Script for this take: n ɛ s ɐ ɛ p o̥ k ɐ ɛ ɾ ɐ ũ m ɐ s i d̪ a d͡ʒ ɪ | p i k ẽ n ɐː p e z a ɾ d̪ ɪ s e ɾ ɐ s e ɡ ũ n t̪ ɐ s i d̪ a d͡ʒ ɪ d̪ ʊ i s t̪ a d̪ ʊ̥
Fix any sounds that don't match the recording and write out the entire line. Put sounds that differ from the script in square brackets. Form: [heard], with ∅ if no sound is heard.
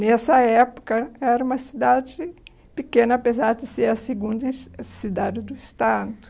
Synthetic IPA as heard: n ɛ s ɐ ɛ p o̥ k ɐ ɛ ɾ ɐ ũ m ɐ s i d̪ a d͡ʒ ɪ | p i k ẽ n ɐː p e z a ɾ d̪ ɪ s e ɾ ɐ s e ɡ ũ n [d̪] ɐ s i d̪ a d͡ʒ ɪ d̪ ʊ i s t̪ a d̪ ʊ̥